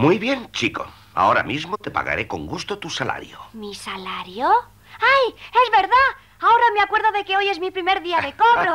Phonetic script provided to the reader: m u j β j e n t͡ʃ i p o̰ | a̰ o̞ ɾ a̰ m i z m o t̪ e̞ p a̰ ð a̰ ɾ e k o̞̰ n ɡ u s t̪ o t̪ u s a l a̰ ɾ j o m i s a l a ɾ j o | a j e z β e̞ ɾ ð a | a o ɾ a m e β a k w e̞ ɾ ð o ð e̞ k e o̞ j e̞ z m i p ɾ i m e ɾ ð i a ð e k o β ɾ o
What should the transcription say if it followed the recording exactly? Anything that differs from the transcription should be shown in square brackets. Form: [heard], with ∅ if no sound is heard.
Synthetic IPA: m u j β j e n t͡ʃ i [k] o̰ | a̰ o̞ ɾ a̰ m i z m o t̪ e̞ p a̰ [ɣ] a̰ ɾ e k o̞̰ [ŋ] ɡ u s t̪ o t̪ u s a l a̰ ɾ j o m i s a l a ɾ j o | a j e z β e̞ ɾ ð a | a o ɾ a m e [∅] a k w e̞ ɾ ð o ð e̞ k e o̞ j e̞ z m i p ɾ i m e ɾ ð i a ð e k o β ɾ o